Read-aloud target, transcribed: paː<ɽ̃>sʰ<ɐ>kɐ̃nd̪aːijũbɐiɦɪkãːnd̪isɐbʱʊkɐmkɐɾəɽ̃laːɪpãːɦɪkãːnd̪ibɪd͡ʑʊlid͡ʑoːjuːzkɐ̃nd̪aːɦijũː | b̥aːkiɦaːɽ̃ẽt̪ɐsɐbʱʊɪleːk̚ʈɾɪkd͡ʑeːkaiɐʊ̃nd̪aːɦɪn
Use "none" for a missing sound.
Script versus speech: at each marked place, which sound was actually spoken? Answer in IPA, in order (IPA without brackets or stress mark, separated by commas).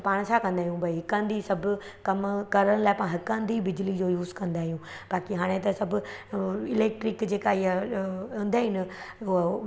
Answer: ɽ̃, a